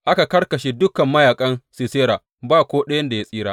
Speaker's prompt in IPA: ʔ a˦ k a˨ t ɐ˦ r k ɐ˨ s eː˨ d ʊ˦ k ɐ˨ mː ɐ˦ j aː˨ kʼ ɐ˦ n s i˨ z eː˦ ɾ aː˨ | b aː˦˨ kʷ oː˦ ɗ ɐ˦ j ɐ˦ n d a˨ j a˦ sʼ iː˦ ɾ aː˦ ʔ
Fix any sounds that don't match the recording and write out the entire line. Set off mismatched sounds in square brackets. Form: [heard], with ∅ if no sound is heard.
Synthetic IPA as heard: ʔ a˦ k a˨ [k] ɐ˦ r k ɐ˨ [ʃ] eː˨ d ʊ˦ k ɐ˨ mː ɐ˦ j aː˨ kʼ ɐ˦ n s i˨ [s] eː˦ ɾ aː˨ | b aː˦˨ kʷ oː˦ ɗ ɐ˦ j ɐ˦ n d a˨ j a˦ sʼ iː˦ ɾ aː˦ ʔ